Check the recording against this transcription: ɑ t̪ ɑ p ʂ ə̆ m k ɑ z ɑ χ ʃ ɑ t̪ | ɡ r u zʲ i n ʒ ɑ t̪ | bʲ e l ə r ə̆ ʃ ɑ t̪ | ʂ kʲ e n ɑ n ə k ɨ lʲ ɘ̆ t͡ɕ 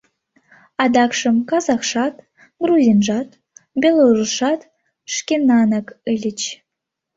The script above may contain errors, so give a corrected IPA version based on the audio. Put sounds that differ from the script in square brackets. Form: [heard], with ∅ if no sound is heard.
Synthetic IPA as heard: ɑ [d̪] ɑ [k] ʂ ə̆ m k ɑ z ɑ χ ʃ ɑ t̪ | ɡ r u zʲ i n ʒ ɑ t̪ | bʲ e l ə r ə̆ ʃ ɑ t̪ | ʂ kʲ e n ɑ n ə k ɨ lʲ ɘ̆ t͡ɕ